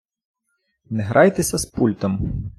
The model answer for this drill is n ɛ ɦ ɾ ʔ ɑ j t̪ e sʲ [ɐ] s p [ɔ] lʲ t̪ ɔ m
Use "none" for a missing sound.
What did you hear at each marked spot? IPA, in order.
ɐ, u

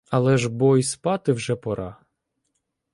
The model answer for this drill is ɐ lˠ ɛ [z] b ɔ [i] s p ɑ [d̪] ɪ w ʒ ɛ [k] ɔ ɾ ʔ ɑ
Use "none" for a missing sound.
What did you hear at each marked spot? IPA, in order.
ʒ, j, t̪, p

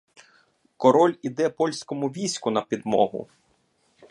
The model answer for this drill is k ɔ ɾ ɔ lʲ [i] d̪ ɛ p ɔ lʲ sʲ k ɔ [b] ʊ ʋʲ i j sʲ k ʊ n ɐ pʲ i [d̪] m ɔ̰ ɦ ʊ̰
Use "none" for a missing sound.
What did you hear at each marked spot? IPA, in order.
i, m, d̪

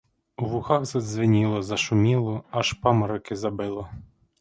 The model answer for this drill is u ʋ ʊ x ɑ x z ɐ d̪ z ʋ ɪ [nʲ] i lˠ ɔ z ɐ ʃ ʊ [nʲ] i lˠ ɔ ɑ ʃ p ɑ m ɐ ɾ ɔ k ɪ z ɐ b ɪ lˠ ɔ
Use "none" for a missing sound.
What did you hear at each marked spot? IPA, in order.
nʲ, mʲ

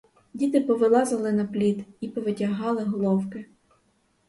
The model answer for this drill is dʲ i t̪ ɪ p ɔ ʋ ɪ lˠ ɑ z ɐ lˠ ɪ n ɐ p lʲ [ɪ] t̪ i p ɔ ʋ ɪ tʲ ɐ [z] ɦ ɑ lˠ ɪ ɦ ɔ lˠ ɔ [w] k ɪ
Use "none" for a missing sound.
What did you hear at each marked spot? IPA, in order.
i, none, w

